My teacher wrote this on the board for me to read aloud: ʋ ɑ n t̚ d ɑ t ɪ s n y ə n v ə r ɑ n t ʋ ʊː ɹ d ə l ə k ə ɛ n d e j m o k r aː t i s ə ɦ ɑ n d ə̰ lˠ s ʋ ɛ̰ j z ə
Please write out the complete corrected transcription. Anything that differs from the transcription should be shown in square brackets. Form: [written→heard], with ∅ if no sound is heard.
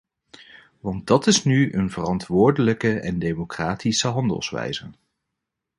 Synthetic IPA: ʋ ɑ n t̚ d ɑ t ɪ s n y ə n v ə r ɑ n t ʋ ʊː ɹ d ə l ə k ə ɛ n d e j m o k r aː t i s ə ɦ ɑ n d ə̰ lˠ s ʋ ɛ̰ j z ə